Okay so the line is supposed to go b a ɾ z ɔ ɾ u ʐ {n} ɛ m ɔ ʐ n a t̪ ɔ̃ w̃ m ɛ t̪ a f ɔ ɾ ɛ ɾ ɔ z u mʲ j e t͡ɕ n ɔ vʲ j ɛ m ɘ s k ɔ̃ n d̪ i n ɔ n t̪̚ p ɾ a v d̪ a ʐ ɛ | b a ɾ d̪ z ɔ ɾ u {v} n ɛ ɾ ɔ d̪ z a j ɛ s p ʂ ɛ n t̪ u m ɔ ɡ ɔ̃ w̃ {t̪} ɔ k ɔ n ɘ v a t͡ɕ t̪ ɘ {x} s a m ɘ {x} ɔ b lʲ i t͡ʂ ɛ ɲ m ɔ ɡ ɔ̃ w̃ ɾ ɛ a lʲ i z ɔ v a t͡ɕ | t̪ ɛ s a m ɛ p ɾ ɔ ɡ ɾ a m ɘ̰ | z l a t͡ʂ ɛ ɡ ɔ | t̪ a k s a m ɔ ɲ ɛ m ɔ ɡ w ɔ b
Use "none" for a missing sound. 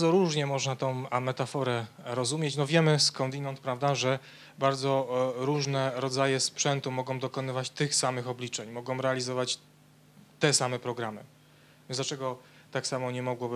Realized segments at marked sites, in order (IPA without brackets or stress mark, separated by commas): ɲ, ʐ, d̪, x, x